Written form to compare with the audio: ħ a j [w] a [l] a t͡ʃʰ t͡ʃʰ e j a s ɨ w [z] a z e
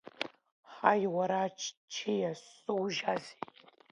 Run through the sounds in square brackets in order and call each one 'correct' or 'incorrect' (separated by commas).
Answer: correct, incorrect, incorrect